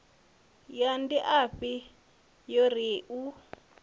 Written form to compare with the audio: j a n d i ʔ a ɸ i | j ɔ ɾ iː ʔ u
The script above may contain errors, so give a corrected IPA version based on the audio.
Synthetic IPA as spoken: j a n d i ʔ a ɸ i | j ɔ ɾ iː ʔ u